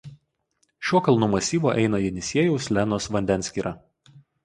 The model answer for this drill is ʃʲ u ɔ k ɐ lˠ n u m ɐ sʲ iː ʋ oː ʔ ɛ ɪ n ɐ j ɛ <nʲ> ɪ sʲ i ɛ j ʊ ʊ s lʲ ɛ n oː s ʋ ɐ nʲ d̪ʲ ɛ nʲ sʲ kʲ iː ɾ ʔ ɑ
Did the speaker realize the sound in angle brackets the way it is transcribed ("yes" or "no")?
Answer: yes